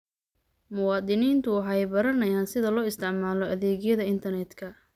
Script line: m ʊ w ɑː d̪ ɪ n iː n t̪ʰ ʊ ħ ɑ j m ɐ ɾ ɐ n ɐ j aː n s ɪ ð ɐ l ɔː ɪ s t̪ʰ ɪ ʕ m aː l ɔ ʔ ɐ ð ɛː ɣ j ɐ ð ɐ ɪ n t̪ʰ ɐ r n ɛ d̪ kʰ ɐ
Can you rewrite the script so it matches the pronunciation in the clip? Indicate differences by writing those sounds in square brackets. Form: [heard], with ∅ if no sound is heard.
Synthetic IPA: m ʊ w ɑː d̪ ɪ n iː n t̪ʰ ʊ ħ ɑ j [b] ɐ ɾ ɐ n ɐ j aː n s ɪ ð ɐ l ɔː ɪ s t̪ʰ ɪ ʕ m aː l ɔ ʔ ɐ ð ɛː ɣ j ɐ ð ɐ ɪ n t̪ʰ ɐ r n ɛ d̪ kʰ ɐ